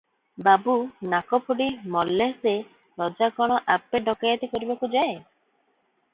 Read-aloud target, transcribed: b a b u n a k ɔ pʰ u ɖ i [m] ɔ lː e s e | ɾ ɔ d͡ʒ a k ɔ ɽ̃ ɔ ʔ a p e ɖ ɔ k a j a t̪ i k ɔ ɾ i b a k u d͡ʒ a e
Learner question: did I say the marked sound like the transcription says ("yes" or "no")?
yes